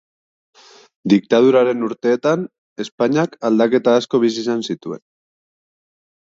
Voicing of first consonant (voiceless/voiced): voiced